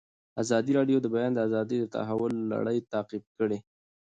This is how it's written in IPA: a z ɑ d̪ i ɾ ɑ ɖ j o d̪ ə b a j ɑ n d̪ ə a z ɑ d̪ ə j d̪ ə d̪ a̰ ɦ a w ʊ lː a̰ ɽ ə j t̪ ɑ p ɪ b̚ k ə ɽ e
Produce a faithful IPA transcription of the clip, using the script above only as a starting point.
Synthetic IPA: a z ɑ d̪ i ɾ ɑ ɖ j o d̪ ə b a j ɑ n d̪ ə a z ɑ d̪ ə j d̪ ə t̪ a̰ ɦ a w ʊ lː a̰ ɽ ə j t̪ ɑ q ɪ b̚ k ə ɽ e